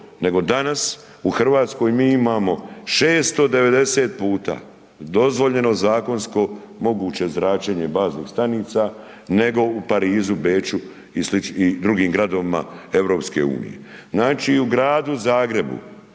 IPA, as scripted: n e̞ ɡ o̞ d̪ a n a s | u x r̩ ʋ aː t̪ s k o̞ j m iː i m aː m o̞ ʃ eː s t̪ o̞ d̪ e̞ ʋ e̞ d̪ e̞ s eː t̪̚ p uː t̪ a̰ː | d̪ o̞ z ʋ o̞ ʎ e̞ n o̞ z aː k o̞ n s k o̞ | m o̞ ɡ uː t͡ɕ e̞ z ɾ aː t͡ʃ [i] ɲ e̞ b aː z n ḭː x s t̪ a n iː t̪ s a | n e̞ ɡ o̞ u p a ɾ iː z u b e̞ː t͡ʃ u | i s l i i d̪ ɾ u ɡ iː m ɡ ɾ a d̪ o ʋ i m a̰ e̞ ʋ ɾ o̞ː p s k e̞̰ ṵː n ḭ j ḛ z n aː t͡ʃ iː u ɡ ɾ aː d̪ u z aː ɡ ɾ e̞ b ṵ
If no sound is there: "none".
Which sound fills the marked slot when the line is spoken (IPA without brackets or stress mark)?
e